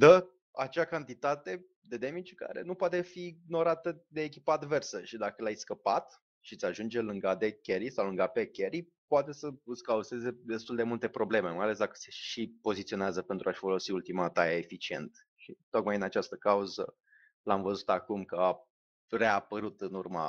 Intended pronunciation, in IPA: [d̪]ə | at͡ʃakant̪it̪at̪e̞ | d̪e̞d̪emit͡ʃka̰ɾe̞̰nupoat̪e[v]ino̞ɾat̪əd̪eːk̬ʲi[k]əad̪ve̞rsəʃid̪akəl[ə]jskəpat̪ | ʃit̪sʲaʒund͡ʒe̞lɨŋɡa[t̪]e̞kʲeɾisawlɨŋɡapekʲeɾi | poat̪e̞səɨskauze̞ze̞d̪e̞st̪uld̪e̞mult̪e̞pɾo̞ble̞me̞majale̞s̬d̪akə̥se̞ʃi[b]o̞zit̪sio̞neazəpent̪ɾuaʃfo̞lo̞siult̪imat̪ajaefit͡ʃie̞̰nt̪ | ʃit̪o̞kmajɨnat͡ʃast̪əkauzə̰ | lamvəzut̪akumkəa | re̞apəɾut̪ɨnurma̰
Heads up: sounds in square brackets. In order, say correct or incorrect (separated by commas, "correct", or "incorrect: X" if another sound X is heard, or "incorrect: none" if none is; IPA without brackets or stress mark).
correct, incorrect: f, incorrect: p, incorrect: a, incorrect: d̪, incorrect: p